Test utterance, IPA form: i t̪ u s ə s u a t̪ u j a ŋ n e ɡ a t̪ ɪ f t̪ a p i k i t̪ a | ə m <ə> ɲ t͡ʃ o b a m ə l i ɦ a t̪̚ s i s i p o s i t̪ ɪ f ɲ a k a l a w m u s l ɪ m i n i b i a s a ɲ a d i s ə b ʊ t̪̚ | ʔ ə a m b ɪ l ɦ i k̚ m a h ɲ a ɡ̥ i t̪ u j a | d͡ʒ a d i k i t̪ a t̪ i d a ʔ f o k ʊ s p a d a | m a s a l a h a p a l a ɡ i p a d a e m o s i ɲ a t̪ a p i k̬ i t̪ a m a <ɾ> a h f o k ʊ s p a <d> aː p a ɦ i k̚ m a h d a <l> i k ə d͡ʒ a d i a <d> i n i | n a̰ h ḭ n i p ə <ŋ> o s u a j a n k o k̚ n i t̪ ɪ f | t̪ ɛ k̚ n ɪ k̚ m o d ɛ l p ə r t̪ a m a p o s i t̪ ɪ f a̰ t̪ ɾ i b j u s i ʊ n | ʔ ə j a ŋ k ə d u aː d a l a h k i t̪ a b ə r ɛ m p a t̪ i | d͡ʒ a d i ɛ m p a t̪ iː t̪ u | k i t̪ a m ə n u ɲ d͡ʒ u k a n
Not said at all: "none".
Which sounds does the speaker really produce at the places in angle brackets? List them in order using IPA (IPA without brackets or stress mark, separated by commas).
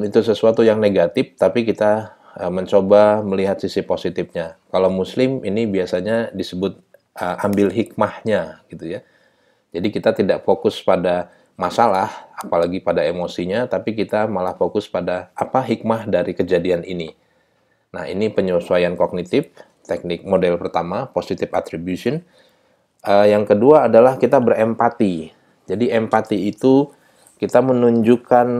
ə, l, d, ɾ, n, ɲ